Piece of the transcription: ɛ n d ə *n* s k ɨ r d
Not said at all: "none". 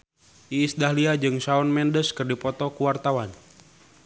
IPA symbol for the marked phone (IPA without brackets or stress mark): none